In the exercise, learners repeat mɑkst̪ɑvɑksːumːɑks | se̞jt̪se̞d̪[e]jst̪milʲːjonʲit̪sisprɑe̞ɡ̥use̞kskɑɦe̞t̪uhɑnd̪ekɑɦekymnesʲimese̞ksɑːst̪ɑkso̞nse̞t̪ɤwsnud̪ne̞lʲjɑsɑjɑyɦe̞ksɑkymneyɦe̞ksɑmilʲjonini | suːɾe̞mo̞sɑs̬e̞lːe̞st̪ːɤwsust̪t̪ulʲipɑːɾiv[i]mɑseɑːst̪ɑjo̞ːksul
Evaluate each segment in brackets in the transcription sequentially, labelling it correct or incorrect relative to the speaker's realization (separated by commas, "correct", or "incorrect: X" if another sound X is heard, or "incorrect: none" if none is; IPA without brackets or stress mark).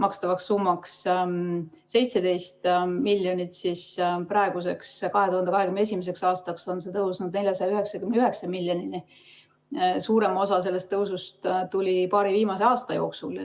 correct, incorrect: iː